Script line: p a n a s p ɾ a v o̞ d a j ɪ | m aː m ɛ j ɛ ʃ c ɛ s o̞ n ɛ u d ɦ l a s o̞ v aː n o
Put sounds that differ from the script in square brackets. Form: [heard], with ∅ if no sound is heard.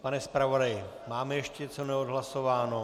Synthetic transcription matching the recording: p a n [ɛ] s p ɾ a v o̞ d a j ɪ | m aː m ɛ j ɛ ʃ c ɛ [t͡s] o̞ n ɛ [o] d ɦ l a s o̞ v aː n o